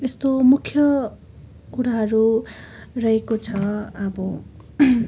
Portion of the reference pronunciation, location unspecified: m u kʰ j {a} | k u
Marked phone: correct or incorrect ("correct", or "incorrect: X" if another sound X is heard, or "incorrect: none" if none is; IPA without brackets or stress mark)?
incorrect: ʌ